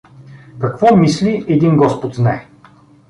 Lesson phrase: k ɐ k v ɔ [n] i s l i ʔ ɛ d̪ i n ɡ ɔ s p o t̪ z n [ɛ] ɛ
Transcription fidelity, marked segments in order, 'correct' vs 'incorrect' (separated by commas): incorrect, incorrect